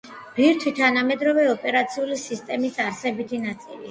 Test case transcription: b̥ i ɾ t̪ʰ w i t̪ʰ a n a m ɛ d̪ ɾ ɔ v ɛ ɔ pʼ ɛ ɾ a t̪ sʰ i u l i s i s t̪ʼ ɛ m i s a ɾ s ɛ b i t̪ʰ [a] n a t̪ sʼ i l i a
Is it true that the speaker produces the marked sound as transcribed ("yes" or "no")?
no